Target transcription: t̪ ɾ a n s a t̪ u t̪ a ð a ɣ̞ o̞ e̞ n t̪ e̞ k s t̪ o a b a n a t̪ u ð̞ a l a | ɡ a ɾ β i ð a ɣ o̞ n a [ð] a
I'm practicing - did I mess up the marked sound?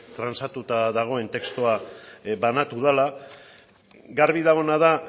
no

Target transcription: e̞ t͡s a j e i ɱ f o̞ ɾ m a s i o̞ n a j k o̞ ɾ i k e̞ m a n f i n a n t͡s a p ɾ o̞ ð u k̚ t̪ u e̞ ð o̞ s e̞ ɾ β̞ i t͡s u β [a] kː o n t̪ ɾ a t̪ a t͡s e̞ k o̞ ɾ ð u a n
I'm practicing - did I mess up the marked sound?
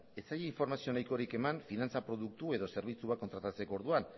no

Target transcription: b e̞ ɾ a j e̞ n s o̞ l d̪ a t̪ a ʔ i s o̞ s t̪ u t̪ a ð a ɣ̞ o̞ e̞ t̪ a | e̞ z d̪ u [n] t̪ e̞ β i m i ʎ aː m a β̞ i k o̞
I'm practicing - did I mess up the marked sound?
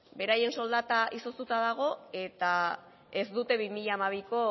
yes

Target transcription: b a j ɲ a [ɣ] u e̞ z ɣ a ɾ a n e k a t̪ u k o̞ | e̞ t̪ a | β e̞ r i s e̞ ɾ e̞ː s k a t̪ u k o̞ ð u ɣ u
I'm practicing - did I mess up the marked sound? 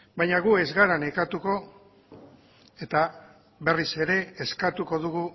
no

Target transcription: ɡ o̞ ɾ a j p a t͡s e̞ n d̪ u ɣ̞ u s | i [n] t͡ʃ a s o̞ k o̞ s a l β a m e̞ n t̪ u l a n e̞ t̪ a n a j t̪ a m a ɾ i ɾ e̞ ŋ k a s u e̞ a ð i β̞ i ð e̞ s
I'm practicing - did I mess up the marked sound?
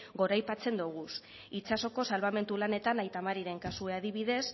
yes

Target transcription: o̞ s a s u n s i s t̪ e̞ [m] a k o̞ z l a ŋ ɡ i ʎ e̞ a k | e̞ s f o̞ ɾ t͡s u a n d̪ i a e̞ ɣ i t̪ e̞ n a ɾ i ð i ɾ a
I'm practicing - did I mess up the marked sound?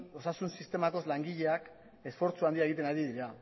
no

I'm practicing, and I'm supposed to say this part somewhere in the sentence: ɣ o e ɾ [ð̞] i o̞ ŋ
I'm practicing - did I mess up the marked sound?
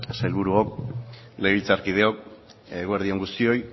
no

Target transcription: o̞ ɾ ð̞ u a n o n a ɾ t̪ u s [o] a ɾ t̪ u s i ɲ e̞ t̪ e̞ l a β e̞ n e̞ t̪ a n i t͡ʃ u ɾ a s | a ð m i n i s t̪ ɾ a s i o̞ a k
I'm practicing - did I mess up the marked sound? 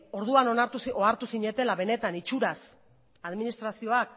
no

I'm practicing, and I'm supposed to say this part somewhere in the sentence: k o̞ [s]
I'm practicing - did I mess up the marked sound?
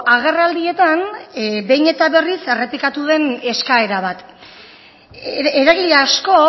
yes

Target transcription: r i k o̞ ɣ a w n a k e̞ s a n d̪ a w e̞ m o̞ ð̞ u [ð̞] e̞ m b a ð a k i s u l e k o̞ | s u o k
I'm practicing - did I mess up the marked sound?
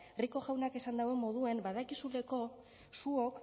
yes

